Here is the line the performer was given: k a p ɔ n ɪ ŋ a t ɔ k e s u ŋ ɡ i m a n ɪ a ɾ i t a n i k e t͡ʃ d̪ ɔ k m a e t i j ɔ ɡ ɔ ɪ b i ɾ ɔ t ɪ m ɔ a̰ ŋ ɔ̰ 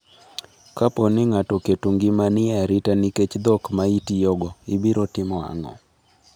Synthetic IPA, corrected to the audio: k a p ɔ n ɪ ŋ a t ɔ k e t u ŋ ɡ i m a n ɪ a ɾ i t a n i k e t͡ʃ d̪ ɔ k m a i t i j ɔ ɡ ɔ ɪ b i ɾ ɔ t ɪ m ɔ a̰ ŋ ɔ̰